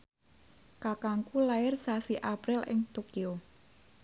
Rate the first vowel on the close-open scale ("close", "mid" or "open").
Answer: open